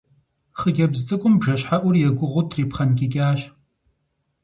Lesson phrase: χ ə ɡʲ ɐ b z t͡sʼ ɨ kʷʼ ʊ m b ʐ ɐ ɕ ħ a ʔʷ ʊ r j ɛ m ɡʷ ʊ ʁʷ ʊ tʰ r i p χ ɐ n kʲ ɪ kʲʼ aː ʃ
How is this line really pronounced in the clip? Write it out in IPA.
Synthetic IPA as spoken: χ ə ɡʲ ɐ b z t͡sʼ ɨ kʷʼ ʊ m b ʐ ɐ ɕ ħ a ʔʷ ʊ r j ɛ ɡʷ ʊ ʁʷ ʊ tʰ r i p χ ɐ n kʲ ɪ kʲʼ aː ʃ